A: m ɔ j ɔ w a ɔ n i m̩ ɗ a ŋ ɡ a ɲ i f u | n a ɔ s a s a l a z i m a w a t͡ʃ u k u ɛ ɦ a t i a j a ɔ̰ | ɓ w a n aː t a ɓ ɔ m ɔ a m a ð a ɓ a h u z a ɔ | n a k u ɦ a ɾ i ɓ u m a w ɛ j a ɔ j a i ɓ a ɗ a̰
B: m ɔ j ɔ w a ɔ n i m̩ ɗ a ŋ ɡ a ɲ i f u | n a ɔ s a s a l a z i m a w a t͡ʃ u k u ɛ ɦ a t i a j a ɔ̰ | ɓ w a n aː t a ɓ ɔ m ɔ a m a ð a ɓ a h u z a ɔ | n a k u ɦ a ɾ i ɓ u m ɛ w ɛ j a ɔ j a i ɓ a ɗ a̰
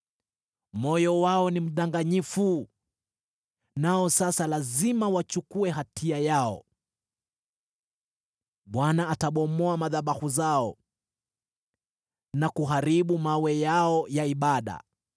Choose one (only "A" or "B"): A